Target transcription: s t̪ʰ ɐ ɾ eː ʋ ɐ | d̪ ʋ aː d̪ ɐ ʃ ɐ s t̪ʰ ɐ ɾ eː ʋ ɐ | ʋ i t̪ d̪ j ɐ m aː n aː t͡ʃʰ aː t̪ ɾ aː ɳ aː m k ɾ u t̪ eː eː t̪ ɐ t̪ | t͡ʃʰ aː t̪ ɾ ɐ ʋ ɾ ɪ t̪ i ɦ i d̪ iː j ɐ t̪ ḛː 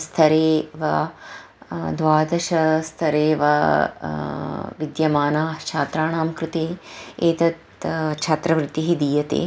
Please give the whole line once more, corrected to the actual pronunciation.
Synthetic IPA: s t̪ʰ ɐ ɾ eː ʋ ɐ | d̪ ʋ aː d̪ ɐ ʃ ɐ s t̪ʰ ɐ ɾ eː ʋ ɐ | ʋ i d̪ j ɐ m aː n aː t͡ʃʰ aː t̪ ɾ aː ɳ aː m k ɾ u t̪ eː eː t̪ ɐ t̪ | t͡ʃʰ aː t̪ ɾ ɐ ʋ ɾ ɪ t̪ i ɦ i d̪ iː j ɐ t̪ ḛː

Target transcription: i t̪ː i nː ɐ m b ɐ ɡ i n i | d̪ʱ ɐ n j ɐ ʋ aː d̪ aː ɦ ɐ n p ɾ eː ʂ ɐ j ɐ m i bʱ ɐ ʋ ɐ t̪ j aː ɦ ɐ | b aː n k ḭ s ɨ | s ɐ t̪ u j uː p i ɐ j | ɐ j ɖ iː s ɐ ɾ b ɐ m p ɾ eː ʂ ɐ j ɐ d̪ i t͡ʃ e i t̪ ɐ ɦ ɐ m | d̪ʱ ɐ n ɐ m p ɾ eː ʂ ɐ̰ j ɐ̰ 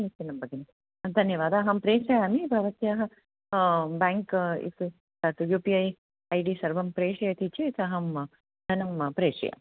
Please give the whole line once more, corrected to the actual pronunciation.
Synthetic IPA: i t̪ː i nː ɐ m b ɐ ɡ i n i | d̪ʱ ɐ n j ɐ ʋ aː d̪ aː ɦ ɐ m p ɾ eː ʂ ɐ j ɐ m i bʱ ɐ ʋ ɐ t̪ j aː ɦ ɐ | b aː ŋ k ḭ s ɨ | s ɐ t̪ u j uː p i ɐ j | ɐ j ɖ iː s ɐ ɾ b ɐ m p ɾ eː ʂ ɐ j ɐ t̪ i t͡ʃ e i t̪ ɐ ɦ ɐ m | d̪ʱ ɐ n ɐ m p ɾ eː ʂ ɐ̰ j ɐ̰

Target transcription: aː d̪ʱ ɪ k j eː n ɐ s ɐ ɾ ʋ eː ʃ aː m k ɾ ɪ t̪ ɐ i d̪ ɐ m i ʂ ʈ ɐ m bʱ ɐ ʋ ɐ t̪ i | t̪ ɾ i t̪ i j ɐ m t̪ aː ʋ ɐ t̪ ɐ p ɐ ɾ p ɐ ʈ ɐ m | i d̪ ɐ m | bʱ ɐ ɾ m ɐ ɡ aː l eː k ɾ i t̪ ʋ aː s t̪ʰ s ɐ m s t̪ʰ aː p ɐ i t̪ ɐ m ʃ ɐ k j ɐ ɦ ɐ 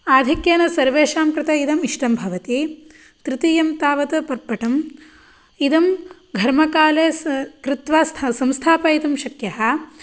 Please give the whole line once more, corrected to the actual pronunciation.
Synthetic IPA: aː d̪ʱ i k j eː n ɐ s ɐ ɾ ʋ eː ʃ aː m k ɾ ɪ t̪ ɐ i d̪ ɐ m i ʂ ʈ ɐ m bʱ ɐ ʋ ɐ t̪ i | t̪ ɾ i t̪ i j ɐ m t̪ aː ʋ ɐ t̪ ɐ p ɐ ɾ p ɐ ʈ ɐ m | i d̪ ɐ m | ɡʱ ɐ ɾ m ɐ k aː l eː k ɾ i t̪ ʋ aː s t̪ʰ s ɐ m s t̪ʰ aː p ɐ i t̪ ɐ m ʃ ɐ k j ɐ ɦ ɐ

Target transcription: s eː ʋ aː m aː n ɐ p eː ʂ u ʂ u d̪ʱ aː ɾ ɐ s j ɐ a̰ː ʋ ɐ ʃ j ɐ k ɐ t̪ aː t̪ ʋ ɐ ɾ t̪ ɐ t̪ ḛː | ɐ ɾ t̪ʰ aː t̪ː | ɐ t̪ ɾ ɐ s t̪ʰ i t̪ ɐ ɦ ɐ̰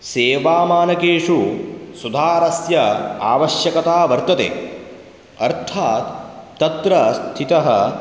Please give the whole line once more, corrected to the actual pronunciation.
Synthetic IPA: s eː ʋ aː m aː n ɐ k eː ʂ u s u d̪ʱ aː ɾ ɐ s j ɐ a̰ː ʋ ɐ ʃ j ɐ k ɐ t̪ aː ʋ ɐ ɾ t̪ ɐ t̪ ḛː | ɐ ɾ t̪ʰ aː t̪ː | ɐ t̪ ɾ ɐ s t̪ʰ i t̪ ɐ ɦ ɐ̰

